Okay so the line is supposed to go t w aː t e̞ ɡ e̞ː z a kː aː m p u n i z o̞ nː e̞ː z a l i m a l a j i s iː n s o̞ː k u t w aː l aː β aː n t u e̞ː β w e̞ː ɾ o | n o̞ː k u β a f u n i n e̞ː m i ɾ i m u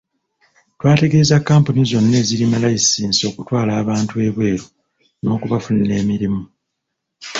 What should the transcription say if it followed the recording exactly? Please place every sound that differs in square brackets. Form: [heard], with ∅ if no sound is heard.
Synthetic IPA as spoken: t w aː t e̞ ɡ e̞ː z a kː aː m p u n i z o̞ nː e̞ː z [i] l i m a l a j i s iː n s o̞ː k u t w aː l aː β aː n t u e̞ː β w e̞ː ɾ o | n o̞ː k u β a f u n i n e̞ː m i ɾ i m u